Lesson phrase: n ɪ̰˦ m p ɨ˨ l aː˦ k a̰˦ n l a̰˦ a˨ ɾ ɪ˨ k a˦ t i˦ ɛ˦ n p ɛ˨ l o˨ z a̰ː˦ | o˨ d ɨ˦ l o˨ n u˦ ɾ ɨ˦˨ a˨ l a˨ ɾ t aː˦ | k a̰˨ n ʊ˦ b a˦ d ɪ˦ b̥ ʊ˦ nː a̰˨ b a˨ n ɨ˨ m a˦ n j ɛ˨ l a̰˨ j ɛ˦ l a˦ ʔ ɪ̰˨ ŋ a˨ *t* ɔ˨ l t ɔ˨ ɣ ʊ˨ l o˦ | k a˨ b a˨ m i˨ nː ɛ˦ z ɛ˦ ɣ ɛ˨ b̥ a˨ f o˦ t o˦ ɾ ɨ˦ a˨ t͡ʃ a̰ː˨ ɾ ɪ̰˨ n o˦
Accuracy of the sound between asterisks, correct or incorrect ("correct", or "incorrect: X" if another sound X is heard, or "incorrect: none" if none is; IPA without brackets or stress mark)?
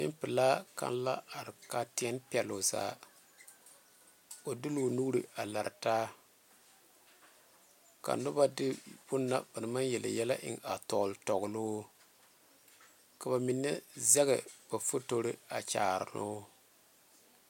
correct